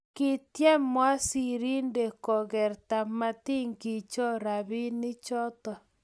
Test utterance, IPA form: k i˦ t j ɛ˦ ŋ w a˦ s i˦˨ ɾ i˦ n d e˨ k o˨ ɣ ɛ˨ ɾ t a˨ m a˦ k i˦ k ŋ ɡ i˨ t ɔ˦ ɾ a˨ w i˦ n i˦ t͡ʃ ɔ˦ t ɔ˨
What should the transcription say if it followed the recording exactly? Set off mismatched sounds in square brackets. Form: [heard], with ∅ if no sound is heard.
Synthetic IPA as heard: k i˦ t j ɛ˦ [m] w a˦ s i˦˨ ɾ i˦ n d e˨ k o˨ ɣ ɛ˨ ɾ t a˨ m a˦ [t] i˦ [∅] ŋ ɡ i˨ [t͡ʃ] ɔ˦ ɾ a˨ [β] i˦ n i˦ t͡ʃ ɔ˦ t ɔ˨